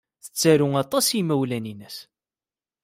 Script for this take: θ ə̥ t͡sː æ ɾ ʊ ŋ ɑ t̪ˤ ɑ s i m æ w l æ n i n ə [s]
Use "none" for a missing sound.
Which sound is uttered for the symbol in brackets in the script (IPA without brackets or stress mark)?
s